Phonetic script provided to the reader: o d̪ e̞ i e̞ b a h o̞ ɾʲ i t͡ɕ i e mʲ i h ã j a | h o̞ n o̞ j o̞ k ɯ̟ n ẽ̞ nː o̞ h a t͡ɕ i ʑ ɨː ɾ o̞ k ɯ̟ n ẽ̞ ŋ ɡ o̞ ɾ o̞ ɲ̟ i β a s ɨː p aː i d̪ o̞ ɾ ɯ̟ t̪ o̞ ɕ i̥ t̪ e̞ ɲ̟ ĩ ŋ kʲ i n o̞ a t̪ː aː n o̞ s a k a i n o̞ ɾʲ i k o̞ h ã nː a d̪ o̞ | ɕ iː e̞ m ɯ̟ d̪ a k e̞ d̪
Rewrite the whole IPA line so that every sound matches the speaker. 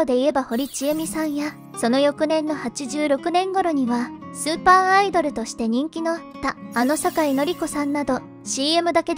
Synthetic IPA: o d̪ e̞ i e̞ b a h o̞ ɾʲ i t͡ɕ i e mʲ i s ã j a | s o̞ n o̞ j o̞ k ɯ̟ n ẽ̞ nː o̞ h a t͡ɕ i ʑ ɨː ɾ o̞ k ɯ̟ n ẽ̞ ŋ ɡ o̞ ɾ o̞ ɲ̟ i β a s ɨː p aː i d̪ o̞ ɾ ɯ̟ t̪ o̞ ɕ i̥ t̪ e̞ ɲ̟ ĩ ŋ kʲ i n o̞ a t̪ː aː n o̞ s a k a i n o̞ ɾʲ i k o̞ s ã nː a d̪ o̞ | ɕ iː e̞ m ɯ̟ d̪ a k e̞ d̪